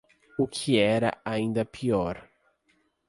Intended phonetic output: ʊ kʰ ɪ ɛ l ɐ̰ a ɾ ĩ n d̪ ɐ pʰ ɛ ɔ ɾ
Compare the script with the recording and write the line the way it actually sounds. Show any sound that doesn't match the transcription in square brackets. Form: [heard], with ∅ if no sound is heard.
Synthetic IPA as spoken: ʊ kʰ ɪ ɛ [ɾ] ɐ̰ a [∅] ĩ n d̪ ɐ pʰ [i] ɔ ɾ

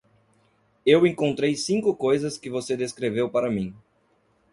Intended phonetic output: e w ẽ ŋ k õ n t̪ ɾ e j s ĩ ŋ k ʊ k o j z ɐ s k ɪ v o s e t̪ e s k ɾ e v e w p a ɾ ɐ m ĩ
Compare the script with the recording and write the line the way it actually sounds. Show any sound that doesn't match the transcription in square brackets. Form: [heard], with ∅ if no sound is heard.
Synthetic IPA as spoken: e w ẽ ŋ k õ n t̪ ɾ e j s ĩ ŋ k ʊ k o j z ɐ s k ɪ v o s e [d̪] e s k ɾ e v e w p a ɾ ɐ m ĩ

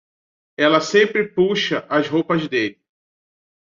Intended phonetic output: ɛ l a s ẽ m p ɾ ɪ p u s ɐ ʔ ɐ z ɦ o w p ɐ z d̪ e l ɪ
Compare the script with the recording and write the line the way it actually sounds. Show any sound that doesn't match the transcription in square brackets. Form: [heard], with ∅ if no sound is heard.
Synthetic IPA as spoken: ɛ l [ɐ] s ẽ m p ɾ ɪ p u [ʃ] ɐ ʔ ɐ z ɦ o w p ɐ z d̪ e l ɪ

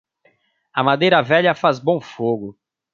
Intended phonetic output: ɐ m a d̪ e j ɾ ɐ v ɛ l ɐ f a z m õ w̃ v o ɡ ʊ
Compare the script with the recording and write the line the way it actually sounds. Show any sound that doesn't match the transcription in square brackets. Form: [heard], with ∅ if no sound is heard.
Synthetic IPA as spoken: ɐ m a d̪ e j ɾ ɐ v ɛ [ʎ] ɐ f a z [b] õ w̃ [f] o ɡ ʊ

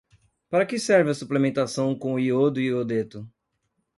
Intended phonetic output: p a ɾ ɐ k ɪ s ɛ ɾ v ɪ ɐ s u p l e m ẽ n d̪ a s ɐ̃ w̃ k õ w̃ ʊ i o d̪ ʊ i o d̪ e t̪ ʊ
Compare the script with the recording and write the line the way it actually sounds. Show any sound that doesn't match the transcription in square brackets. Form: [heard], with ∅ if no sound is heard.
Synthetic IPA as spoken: p a ɾ ɐ k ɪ s ɛ ɾ v ɪ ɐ s u p l e m ẽ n [t̪] a s ɐ̃ w̃ k õ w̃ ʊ i o d̪ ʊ i o d̪ e t̪ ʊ

